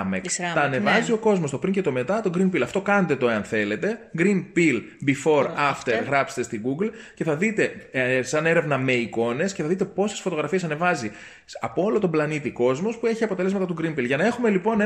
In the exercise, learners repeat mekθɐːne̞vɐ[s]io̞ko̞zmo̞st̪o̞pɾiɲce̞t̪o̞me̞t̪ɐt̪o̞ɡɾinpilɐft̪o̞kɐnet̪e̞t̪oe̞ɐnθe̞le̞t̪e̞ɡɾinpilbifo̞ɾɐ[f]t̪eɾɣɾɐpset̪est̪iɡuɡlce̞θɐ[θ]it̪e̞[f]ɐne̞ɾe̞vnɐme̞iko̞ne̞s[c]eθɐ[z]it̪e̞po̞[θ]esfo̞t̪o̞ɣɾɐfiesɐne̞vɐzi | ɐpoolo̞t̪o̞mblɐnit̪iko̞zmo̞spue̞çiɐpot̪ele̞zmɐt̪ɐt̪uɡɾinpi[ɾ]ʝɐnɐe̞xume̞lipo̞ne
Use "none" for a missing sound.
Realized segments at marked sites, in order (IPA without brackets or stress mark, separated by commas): z, f, ð, s, c, ð, s, l